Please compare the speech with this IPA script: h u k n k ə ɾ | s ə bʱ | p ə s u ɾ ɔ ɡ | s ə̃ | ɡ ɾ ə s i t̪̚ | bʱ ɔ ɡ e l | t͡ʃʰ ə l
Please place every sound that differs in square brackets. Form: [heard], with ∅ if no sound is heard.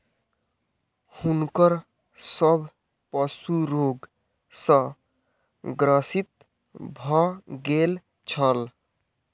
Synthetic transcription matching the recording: h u [∅] n k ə ɾ | s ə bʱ | p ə s u ɾ [o] ɡ | s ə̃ | ɡ ɾ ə s i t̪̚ | bʱ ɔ ɡ e l | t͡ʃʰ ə l